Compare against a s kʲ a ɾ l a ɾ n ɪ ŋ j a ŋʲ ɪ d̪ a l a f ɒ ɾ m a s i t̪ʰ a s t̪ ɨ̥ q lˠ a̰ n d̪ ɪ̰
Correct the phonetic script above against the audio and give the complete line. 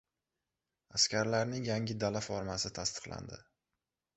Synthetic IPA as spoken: a s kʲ a ɾ l a ɾ n ɪ ŋ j a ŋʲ ɪ d̪ a l a f ɒ ɾ m a s ɪ t̪ʰ a s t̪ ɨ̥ q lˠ a̰ n d̪ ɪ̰